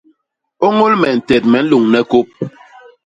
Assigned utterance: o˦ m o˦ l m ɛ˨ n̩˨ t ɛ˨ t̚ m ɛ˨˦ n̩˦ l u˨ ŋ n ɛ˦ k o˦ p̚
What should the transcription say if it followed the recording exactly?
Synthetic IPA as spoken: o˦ ŋ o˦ l m ɛ˨ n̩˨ t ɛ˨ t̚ m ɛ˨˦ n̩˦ l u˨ ŋ n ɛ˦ k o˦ p̚